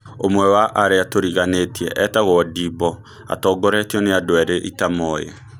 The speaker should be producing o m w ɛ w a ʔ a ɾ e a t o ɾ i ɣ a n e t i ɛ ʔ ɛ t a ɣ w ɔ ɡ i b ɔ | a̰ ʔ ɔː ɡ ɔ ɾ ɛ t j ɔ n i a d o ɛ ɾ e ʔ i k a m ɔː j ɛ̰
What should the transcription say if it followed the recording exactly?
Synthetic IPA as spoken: o m w ɛ w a ʔ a ɾ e a t o ɾ i ɣ a n e t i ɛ ʔ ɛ t a ɣ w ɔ d i b ɔ | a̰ t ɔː ɡ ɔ ɾ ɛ t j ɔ n e a d o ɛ ɾ e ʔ i t a m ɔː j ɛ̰